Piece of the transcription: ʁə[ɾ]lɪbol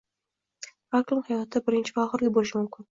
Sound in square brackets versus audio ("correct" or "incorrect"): correct